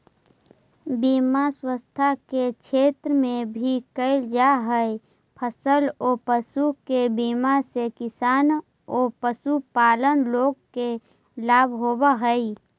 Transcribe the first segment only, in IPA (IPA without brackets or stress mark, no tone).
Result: b